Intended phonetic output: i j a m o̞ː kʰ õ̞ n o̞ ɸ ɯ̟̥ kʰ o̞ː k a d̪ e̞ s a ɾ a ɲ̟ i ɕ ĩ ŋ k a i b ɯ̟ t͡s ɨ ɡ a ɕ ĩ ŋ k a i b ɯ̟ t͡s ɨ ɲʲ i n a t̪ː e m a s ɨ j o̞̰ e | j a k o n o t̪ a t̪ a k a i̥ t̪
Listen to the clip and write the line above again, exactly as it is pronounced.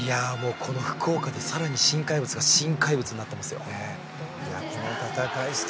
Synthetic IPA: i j a m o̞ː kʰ o̞ n o̞ ɸ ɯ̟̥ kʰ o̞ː k a d̪ e̞ s a ɾ a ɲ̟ i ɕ ĩ ŋ k a i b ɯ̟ t͡s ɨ ɡ a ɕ ĩ ŋ k a i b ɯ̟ t͡s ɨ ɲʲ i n a t̪ː e m a s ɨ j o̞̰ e | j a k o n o t̪ a t̪ a k a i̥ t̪